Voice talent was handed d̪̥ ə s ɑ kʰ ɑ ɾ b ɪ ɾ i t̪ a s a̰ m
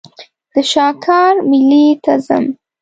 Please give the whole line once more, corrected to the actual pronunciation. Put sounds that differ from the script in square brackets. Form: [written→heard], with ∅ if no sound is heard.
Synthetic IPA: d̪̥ ə [s→ʃ] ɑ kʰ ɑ ɾ [b→m] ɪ [ɾ→l] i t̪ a [s→z] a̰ m